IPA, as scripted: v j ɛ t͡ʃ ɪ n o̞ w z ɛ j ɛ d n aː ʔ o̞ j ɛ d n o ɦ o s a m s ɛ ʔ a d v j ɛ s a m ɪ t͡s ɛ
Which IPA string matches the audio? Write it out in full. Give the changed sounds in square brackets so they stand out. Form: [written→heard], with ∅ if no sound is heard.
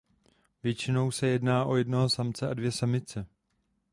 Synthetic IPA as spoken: v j ɛ t͡ʃ ɪ n o̞ w [z→s] ɛ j ɛ d n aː ʔ o̞ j ɛ d n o ɦ o s a m [s→t͡s] ɛ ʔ a d v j ɛ s a m ɪ t͡s ɛ